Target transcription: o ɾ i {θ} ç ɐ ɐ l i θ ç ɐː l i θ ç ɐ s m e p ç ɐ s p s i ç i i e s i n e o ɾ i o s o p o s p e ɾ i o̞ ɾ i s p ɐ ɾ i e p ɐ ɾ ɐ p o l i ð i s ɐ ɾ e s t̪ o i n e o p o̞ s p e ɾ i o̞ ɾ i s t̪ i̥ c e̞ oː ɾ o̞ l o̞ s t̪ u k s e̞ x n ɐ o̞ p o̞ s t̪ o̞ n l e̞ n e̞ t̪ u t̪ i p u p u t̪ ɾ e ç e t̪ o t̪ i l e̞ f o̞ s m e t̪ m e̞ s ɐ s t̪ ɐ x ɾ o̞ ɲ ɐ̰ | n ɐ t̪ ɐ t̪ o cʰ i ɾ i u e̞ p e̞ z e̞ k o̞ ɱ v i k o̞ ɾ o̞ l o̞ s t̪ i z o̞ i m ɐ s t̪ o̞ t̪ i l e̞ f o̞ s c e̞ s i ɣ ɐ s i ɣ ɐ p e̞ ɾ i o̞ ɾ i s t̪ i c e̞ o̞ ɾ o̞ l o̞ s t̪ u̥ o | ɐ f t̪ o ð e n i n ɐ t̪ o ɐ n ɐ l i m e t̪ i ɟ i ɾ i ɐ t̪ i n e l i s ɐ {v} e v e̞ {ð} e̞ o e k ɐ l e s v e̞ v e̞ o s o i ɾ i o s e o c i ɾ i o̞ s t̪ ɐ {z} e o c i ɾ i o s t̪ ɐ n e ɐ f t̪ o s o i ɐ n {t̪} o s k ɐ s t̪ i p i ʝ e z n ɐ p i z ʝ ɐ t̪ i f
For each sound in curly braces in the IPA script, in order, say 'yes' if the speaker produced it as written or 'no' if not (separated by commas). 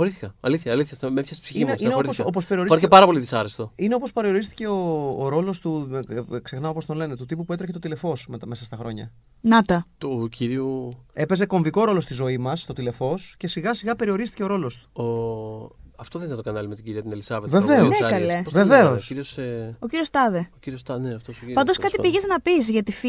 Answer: yes, yes, no, no, no